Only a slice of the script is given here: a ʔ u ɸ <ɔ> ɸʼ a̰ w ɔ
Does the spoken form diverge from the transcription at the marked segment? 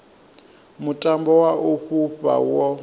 yes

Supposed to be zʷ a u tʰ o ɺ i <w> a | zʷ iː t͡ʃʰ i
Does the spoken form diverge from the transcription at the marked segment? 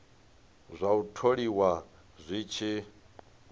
no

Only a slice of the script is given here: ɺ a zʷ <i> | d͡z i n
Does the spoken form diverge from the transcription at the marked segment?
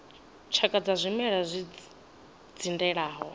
no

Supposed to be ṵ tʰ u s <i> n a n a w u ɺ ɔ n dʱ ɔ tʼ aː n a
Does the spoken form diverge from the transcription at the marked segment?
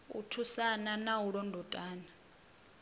yes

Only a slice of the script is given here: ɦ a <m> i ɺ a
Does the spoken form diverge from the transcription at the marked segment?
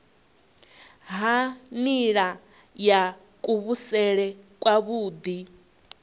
yes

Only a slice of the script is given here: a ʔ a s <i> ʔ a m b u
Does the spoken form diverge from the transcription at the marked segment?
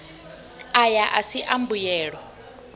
no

